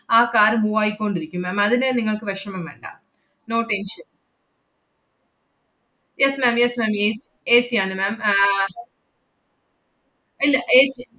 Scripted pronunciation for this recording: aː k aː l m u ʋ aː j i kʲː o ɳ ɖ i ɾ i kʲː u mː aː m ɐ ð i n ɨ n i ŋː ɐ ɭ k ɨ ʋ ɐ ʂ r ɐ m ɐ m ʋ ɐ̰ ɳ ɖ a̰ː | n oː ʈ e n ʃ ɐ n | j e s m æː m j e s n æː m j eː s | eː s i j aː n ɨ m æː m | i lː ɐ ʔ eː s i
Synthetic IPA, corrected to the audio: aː k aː ɾ m u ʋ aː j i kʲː o ɳ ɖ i ɾ i kʲː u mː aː m ɐ ð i n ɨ n i ŋː ɐ ɭ k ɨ ʋ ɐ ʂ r ɐ m ɐ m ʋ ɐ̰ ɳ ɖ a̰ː | n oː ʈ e n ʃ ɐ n | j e s m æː m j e s m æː m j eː s | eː s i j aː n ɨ m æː m | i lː ɐ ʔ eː s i